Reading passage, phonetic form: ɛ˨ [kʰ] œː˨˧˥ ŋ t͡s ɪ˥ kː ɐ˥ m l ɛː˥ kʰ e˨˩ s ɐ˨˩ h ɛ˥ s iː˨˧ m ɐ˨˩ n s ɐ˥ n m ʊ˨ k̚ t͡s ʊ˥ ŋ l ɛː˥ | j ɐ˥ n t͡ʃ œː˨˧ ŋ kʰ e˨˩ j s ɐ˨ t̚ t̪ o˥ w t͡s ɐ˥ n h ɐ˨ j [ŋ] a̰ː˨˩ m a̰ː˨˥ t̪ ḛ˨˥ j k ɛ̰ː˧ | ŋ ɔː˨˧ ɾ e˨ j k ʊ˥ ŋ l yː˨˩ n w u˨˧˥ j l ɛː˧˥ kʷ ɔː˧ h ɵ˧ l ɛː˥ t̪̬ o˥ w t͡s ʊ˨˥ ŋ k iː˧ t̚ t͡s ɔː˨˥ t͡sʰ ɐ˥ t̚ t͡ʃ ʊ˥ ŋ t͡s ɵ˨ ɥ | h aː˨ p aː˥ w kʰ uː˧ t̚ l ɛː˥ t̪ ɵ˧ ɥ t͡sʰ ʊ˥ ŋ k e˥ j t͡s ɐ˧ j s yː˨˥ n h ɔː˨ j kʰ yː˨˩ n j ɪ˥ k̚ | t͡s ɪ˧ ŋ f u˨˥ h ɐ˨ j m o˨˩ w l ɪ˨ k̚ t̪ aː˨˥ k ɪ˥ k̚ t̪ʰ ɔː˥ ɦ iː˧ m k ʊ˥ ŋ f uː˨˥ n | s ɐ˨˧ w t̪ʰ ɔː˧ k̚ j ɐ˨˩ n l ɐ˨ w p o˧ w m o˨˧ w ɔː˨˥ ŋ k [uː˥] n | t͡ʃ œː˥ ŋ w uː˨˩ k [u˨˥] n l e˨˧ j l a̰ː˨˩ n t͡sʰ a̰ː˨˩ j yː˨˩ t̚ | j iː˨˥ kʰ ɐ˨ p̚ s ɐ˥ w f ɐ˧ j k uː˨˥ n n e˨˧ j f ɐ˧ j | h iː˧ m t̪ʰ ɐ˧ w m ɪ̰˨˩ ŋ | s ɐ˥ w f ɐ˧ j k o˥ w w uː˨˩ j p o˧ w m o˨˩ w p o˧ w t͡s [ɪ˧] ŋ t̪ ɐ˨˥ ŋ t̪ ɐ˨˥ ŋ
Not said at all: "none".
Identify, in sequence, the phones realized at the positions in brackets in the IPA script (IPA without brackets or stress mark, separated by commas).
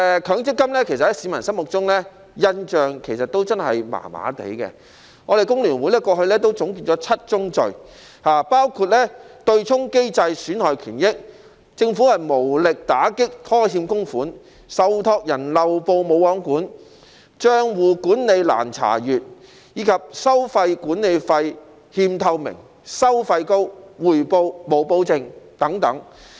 kʰ, m, uː˨˥, uː˨˥, ɪ˧